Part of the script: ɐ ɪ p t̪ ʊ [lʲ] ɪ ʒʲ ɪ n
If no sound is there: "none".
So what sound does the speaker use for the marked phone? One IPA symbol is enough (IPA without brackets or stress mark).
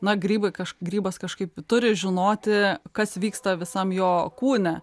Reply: ɾʲ